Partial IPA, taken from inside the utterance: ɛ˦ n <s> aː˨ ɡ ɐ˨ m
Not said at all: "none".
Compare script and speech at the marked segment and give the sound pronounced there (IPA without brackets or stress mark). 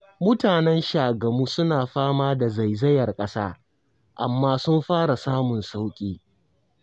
ʃ